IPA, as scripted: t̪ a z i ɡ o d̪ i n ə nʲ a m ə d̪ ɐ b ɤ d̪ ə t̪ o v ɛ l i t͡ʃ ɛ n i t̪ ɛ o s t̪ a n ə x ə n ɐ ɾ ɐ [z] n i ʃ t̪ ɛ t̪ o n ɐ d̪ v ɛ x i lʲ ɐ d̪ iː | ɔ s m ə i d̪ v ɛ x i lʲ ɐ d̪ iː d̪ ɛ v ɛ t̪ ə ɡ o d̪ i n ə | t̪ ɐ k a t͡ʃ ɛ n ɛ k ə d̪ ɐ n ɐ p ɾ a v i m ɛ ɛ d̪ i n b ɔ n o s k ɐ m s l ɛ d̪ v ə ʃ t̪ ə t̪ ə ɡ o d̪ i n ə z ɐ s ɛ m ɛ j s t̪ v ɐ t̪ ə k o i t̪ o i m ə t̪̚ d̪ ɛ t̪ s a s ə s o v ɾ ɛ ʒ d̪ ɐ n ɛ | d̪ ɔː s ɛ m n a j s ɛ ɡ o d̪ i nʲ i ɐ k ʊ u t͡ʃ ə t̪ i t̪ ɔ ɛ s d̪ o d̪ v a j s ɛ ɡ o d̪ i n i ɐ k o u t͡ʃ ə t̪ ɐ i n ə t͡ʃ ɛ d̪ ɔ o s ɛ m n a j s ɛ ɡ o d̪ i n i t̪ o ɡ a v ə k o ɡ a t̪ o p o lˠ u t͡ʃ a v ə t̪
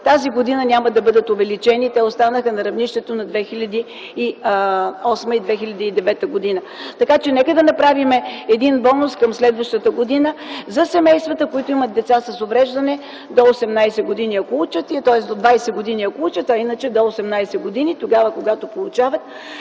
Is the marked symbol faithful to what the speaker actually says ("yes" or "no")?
no